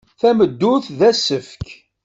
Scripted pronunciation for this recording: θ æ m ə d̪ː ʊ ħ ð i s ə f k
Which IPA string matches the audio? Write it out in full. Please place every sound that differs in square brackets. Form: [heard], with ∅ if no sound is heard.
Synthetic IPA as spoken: θ æ m ə d̪ː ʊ [θ] ð [æ] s ə f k